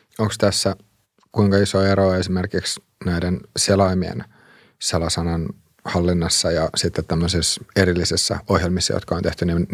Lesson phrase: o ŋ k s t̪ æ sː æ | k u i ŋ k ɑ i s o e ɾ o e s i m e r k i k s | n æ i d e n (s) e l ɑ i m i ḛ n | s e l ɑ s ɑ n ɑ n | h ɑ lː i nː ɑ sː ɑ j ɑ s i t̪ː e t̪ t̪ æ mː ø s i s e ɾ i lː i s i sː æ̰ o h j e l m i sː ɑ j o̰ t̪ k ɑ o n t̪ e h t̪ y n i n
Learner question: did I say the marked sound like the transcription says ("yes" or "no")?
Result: yes